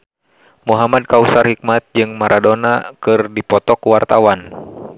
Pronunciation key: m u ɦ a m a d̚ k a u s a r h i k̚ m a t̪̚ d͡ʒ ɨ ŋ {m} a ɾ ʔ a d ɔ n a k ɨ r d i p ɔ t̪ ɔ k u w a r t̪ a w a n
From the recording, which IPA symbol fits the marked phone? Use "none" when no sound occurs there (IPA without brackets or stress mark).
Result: m